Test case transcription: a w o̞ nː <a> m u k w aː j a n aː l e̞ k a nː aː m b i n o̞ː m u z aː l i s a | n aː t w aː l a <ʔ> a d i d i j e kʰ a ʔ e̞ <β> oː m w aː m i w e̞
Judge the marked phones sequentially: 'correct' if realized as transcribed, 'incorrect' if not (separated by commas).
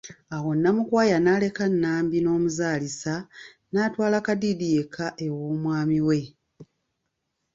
correct, incorrect, incorrect